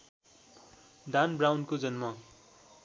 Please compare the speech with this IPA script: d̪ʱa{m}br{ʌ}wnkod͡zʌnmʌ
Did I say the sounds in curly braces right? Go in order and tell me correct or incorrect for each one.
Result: incorrect, incorrect

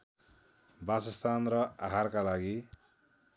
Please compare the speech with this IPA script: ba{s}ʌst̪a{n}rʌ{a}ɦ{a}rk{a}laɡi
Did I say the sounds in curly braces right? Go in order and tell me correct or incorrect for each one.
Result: correct, correct, correct, correct, correct

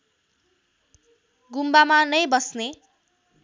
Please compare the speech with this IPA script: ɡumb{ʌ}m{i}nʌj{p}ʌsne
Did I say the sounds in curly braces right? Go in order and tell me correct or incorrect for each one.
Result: incorrect, incorrect, incorrect

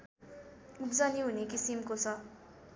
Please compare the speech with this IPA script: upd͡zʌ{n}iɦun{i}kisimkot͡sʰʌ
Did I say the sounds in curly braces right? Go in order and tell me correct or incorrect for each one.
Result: correct, incorrect

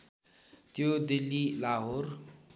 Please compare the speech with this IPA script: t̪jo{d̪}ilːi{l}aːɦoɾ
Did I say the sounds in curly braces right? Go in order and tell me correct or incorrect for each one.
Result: correct, correct

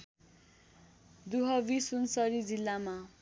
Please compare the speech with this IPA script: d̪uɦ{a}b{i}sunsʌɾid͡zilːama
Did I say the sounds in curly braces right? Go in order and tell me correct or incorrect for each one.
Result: incorrect, correct

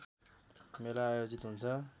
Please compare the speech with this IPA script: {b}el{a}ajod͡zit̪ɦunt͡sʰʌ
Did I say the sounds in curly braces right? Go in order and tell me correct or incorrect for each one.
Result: incorrect, correct

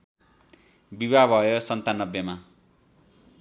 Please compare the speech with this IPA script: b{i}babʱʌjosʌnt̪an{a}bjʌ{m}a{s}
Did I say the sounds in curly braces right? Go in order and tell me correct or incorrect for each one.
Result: correct, incorrect, correct, incorrect

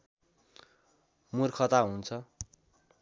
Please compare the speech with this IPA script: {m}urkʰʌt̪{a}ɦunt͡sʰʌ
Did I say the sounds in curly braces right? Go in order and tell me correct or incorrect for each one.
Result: correct, correct

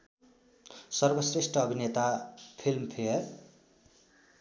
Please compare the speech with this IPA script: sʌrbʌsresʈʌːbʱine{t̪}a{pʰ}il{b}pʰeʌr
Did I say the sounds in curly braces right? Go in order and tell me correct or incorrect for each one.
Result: correct, correct, incorrect

